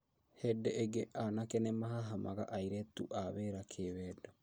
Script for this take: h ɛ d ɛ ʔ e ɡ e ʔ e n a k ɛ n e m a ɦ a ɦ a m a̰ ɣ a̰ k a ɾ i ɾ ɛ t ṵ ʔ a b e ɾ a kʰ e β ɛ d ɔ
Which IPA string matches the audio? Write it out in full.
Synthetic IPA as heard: h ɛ d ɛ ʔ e ɡ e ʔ a n a k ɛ n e m a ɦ a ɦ a m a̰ ɣ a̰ ʔ a i ɾ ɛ t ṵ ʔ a β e ɾ a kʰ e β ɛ d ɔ